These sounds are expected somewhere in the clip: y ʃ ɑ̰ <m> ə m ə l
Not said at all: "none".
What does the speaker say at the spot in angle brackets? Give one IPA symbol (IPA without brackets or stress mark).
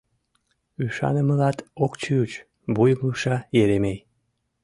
n